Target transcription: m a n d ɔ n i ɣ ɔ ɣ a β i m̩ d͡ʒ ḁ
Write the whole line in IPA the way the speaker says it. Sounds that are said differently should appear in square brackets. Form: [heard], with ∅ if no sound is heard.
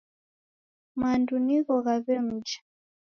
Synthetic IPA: m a n d [u] n i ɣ ɔ ɣ a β [ɛ] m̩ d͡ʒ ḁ